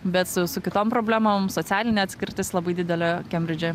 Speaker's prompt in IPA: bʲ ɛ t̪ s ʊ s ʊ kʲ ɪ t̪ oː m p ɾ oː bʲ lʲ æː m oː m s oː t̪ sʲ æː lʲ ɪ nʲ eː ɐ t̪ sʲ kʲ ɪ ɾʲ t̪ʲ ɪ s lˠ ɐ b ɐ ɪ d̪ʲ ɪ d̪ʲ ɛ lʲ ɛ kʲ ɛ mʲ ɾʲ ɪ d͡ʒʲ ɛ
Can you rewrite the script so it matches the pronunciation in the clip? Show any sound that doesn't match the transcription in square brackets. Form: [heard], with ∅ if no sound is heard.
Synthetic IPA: bʲ ɛ t̪ s ʊ s ʊ kʲ ɪ t̪ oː m p ɾ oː bʲ lʲ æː m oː m s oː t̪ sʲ æː lʲ ɪ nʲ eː ɐ t̪ sʲ kʲ ɪ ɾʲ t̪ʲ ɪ s lˠ ɐ b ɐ ɪ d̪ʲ ɪ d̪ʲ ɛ lʲ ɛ kʲ ɛ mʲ ɾʲ ɪ d͡ʒʲ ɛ